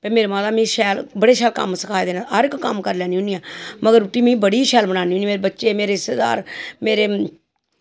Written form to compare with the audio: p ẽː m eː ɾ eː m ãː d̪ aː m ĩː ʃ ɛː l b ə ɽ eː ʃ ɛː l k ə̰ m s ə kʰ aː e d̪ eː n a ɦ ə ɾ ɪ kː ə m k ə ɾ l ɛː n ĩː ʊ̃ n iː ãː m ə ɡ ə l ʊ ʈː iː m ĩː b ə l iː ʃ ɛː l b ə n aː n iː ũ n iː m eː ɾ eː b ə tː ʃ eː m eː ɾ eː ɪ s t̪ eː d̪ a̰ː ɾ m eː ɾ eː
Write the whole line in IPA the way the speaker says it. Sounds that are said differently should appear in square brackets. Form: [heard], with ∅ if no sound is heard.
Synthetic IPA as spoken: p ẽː m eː ɾ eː m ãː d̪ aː m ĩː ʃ ɛː l b ə ɽ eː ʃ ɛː l k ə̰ m s ə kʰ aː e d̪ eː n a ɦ ə ɾ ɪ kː ə m k ə ɾ l ɛː n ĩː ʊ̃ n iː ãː m ə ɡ ə [ɾ] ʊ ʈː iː m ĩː b ə [ɽ] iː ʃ ɛː l b ə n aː n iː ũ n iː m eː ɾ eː b ə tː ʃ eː m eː ɾ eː ɪ s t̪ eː d̪ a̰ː ɾ m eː ɾ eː